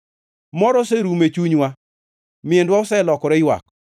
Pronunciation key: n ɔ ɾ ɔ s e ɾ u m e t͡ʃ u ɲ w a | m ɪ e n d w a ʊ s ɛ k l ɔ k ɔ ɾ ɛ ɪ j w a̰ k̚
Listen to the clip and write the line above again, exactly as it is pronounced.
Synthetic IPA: m ɔ ɾ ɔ s e ɾ u m e t͡ʃ u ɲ w a | m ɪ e n d w a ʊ s ɛ l ɔ k ɔ ɾ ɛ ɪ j w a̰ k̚

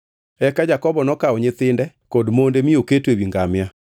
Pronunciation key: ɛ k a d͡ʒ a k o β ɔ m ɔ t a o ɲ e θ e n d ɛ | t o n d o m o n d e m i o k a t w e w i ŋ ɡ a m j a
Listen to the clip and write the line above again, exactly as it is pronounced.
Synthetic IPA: ɛ k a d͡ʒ a k ɔ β ɔ n ɔ k a o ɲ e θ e n d ɛ | k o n d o m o n d e m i o k e t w e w i ŋ ɡ a m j a

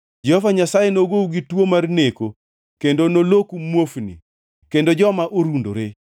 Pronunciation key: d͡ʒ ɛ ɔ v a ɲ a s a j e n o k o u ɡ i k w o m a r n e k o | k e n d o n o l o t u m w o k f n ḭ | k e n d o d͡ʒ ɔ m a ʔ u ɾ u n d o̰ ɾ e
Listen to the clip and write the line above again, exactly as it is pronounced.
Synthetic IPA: d͡ʒ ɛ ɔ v a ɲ a s a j e n o ɡ o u ɡ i t w o m a r n e k o | k e n d o n o l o k u m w o f n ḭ | k e n d o d͡ʒ ɔ m a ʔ o ɾ u n d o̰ ɾ e

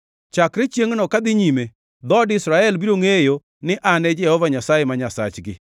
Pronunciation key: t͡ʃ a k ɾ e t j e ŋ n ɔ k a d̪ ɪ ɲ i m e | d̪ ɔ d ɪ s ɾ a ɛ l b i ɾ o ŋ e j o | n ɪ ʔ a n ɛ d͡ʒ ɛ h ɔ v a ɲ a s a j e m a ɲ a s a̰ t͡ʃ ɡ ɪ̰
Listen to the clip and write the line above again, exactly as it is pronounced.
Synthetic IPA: t͡ʃ a k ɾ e t͡ʃ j e ŋ n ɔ k a d̪ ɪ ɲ i m e | d̪ ɔ d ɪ s ɾ a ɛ l b i ɾ o ŋ e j o | n ɪ ʔ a n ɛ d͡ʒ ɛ h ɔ v a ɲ a s a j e m a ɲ a s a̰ t͡ʃ ɡ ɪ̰

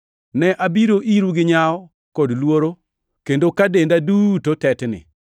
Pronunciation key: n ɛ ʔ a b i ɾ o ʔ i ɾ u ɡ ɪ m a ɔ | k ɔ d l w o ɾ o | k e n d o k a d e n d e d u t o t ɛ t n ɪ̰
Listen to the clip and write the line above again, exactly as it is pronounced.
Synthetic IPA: n ɛ ʔ a b i ɾ o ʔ i ɾ u ɡ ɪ ɲ a ɔ | k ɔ d l w o ɾ o | k e n d o k a d e n d a d u t o t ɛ t n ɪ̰

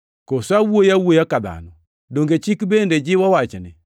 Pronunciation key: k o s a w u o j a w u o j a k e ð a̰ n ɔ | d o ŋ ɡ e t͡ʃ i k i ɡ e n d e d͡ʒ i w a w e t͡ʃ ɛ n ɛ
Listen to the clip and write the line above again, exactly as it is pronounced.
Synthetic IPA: k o s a w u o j a w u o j a k a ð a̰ n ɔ | d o ŋ ɡ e t͡ʃ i k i b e n d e d͡ʒ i w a w a t͡ʃ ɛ n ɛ

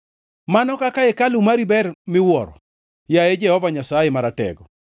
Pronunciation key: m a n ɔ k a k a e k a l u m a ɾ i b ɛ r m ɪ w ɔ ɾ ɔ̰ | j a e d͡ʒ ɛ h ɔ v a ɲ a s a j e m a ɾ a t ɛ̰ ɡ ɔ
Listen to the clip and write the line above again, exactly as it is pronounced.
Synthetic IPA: m a n ɔ k a k a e k a l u m a ɾ i b ɛ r m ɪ w ɔ ɾ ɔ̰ | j a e d͡ʒ ɛ h ɔ v a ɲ a s a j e m a ɾ a t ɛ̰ ɡ ɔ

